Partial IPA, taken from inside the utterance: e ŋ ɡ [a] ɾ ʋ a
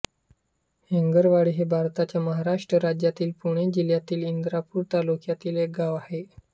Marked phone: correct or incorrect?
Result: incorrect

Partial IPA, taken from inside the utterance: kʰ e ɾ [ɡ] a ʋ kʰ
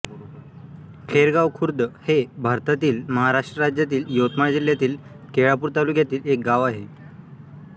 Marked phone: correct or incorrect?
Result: correct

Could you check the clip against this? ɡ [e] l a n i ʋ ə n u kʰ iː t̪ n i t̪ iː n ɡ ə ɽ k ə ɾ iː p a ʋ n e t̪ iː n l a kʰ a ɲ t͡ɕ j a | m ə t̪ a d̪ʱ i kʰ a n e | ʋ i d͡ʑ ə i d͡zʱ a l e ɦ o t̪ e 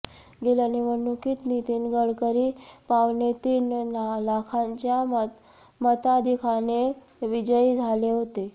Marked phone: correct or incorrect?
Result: correct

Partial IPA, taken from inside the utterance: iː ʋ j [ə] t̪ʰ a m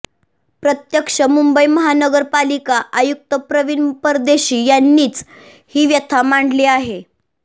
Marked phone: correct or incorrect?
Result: correct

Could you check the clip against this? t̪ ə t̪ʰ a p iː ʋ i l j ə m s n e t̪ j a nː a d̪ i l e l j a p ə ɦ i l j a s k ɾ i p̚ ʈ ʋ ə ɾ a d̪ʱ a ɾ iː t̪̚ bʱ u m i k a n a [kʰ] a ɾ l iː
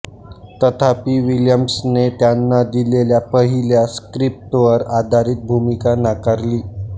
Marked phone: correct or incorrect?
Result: incorrect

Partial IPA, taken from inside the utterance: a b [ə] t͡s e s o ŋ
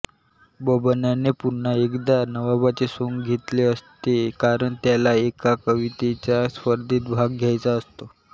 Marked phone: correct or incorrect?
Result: incorrect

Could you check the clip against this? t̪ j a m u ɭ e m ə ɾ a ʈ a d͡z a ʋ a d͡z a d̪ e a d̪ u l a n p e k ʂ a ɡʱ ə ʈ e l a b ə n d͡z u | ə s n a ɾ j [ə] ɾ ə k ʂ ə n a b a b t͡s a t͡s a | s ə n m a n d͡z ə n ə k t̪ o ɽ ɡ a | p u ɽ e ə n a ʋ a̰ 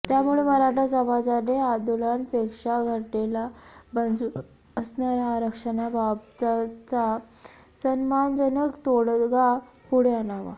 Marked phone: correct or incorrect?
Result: incorrect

